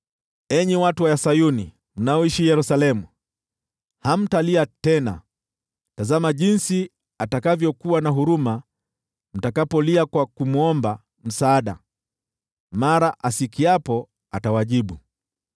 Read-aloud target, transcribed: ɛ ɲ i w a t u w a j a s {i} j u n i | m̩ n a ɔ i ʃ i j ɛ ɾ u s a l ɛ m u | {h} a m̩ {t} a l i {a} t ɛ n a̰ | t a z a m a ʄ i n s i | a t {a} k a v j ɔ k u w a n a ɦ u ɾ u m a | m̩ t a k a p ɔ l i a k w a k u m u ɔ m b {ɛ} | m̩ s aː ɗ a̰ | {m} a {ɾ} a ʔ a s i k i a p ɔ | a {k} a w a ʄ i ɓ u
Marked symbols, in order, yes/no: no, yes, yes, yes, yes, no, yes, yes, no

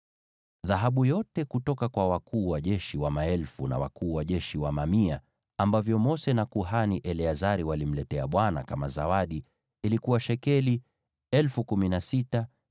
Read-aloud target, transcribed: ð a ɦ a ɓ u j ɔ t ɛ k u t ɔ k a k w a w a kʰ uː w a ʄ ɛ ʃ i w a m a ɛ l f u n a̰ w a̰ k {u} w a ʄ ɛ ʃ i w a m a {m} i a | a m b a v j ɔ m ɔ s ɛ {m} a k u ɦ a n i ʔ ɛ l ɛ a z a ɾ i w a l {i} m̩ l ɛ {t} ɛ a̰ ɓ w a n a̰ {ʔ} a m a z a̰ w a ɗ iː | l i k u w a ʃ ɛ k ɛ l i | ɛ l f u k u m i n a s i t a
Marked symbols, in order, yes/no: no, yes, no, yes, yes, no

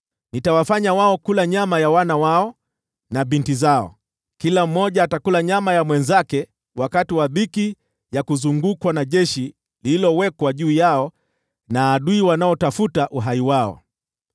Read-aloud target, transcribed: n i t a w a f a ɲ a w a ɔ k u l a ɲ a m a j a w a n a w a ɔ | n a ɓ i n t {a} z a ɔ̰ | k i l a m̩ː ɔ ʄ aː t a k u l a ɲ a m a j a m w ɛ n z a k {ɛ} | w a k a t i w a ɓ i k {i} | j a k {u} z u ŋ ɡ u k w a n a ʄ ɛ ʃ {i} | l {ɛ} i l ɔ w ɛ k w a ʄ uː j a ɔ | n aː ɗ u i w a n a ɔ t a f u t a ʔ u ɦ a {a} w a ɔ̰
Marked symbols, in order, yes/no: no, yes, yes, yes, yes, no, no

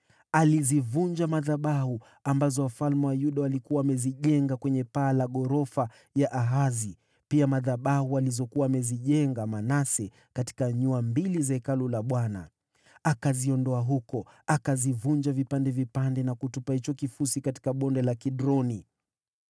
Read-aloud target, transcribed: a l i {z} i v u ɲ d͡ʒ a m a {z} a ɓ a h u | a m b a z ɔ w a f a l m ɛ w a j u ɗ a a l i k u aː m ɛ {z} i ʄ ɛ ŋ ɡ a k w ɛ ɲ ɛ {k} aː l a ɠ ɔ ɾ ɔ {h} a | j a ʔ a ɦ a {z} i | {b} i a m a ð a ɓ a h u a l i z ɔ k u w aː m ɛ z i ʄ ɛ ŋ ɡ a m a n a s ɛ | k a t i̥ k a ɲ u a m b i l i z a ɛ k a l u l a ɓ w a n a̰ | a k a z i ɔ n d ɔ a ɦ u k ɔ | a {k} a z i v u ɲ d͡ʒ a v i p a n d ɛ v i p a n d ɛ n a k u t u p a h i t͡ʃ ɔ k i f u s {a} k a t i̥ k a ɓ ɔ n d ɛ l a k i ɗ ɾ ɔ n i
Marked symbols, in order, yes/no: yes, no, yes, no, no, yes, no, yes, no

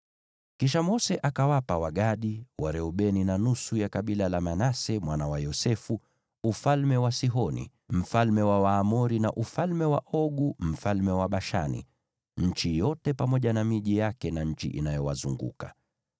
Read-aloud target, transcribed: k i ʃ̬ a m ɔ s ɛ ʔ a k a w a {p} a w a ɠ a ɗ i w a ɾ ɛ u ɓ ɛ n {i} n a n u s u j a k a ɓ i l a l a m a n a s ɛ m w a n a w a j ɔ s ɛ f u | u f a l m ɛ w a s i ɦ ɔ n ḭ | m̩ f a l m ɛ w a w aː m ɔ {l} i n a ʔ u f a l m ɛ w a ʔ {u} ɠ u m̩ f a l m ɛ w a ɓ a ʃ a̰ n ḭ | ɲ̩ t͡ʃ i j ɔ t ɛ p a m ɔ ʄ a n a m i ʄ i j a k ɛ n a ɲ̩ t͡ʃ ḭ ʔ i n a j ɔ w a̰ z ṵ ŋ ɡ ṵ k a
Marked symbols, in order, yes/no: yes, yes, no, no

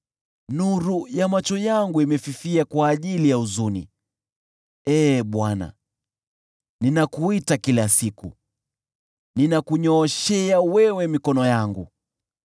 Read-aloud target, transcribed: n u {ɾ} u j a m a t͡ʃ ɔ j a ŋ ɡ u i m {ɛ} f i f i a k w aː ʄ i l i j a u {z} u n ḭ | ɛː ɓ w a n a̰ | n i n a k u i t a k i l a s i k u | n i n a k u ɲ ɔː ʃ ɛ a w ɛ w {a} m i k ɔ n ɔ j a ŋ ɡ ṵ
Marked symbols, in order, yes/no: yes, yes, yes, no

